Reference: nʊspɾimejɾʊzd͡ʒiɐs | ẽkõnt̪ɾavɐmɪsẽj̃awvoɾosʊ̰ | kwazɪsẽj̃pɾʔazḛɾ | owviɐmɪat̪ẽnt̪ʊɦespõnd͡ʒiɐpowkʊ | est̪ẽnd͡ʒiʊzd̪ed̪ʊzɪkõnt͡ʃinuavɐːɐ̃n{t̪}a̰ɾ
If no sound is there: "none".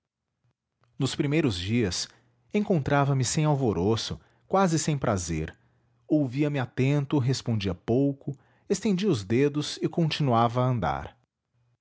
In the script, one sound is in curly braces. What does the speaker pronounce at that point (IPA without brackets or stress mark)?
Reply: d̪